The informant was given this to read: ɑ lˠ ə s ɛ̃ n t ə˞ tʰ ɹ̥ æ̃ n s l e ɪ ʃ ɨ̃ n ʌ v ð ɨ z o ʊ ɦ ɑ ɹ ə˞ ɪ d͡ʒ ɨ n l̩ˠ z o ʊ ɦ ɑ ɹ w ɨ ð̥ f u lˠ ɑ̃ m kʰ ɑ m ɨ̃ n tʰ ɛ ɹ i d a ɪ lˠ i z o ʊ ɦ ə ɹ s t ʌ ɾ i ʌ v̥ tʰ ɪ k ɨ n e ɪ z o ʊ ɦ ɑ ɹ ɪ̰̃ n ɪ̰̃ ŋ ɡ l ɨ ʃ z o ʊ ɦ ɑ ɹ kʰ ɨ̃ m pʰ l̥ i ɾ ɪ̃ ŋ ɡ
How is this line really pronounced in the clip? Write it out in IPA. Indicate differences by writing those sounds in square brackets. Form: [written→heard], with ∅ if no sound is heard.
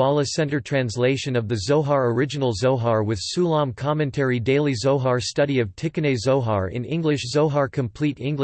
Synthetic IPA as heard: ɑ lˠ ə s ɛ̃ n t ə˞ tʰ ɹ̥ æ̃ n s l e ɪ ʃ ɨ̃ n ʌ v ð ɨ z o ʊ ɦ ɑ ɹ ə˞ ɪ d͡ʒ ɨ n l̩ˠ z o ʊ ɦ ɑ ɹ w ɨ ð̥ [f→s] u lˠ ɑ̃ m kʰ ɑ m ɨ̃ n tʰ ɛ ɹ i d [a→e] ɪ lˠ i z o ʊ ɦ [ə→ɑ] ɹ s t ʌ ɾ i ʌ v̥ tʰ ɪ k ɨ n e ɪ z o ʊ ɦ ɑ ɹ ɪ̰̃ n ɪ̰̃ ŋ ɡ l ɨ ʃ z o ʊ ɦ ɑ ɹ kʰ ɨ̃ m pʰ l̥ i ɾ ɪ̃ ŋ ɡ